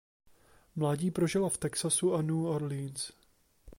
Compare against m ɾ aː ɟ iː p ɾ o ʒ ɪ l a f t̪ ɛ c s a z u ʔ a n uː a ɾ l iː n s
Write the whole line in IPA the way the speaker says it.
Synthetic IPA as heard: m l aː ɟ iː p ɾ o ʒ ɪ l a f t̪ ɛ k s a s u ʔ a n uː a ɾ l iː n s